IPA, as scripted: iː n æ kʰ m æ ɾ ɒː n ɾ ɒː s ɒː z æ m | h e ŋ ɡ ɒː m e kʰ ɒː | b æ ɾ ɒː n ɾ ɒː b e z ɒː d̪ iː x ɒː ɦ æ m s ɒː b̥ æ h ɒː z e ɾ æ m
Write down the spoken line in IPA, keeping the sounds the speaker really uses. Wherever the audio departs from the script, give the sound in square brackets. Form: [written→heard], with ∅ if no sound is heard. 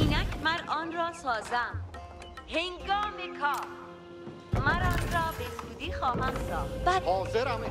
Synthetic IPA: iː n æ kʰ m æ ɾ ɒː n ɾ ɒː s ɒː z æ m | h e ŋ ɡ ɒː m e kʰ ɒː | [b→m] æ ɾ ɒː n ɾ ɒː b e z [ɒː→uː] d̪ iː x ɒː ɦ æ m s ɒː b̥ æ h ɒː z e ɾ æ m

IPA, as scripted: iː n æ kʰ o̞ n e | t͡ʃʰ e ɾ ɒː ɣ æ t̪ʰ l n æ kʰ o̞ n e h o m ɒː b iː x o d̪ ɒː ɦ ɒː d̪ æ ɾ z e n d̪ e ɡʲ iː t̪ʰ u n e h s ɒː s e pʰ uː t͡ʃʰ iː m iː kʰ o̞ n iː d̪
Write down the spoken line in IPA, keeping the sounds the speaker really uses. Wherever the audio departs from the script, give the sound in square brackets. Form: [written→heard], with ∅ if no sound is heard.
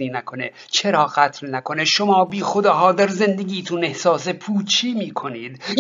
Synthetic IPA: iː n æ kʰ o̞ n e | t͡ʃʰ e ɾ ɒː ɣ æ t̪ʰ l n æ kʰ o̞ n e [h→ʃ] o m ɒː b iː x o d̪ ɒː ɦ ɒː d̪ æ ɾ z e n d̪ e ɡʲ iː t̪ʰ u n e h s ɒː s e pʰ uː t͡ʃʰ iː m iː kʰ o̞ n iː d̪

